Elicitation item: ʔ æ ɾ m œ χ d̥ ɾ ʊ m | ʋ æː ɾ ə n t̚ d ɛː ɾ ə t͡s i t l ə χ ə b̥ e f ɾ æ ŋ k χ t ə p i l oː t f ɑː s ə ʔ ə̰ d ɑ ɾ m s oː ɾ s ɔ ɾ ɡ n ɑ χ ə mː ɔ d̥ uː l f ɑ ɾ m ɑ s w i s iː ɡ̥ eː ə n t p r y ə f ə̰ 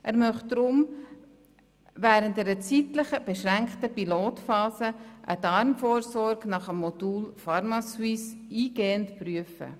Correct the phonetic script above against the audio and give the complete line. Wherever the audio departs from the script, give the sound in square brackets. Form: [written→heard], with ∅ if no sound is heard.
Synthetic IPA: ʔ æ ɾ m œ χ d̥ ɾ ʊ m | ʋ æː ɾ ə n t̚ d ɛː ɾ ə t͡s i t l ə χ ə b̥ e [f→ʃ] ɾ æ ŋ k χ t ə p i l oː t f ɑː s ə ʔ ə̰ d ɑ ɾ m [s→f] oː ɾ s ɔ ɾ ɡ n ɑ χ ə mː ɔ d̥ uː l f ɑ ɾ m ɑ s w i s iː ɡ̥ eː ə n t p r y ə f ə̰